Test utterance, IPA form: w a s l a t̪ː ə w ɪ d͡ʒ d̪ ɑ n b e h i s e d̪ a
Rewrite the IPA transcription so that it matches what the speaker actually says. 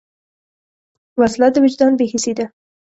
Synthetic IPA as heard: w a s l a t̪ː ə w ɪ d͡ʒ d̪ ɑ n b e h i s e d̪ a